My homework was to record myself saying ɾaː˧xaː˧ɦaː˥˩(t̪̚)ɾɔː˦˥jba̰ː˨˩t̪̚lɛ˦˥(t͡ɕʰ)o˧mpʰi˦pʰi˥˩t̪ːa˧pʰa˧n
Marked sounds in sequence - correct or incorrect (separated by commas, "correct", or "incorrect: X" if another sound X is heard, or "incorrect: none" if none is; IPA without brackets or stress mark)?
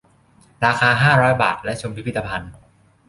incorrect: none, correct